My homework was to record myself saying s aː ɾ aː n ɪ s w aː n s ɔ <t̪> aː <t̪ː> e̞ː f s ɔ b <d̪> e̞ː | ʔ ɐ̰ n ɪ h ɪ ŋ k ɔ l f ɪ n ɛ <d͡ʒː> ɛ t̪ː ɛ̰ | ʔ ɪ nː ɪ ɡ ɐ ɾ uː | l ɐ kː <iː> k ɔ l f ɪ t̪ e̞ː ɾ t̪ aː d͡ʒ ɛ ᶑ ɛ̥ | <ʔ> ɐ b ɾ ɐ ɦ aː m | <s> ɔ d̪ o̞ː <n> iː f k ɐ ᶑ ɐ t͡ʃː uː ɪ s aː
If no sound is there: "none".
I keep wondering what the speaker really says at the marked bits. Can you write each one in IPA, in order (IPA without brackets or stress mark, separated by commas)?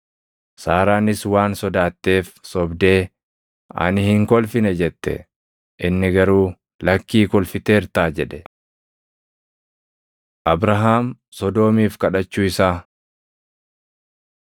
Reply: d̪, t̪ː, d̪, d͡ʒ, iː, ʔ, s, m